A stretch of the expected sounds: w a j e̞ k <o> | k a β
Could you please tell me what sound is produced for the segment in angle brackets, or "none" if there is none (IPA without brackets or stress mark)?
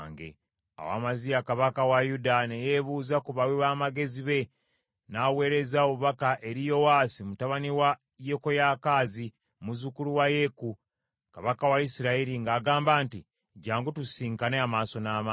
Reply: u